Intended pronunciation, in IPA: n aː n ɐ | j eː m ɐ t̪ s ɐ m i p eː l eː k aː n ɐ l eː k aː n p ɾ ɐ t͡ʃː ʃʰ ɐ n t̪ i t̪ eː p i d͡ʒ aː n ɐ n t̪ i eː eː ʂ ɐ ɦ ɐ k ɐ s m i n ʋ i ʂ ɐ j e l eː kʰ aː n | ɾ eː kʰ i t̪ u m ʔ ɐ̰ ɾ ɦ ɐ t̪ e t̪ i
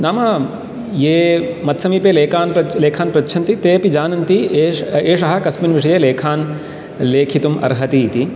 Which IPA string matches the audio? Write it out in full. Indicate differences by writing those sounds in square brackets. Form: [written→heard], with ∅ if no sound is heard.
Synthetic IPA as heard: n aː [n→m] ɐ | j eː m ɐ t̪ s ɐ m i p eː l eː k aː n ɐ l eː [k→kʰ] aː n p ɾ ɐ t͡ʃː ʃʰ ɐ n t̪ i t̪ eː p i d͡ʒ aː n ɐ n t̪ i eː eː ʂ ɐ ɦ ɐ k ɐ s m i n ʋ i ʂ ɐ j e l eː kʰ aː n | [ɾ→l] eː kʰ i t̪ u m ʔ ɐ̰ ɾ ɦ ɐ t̪ [e→i] t̪ i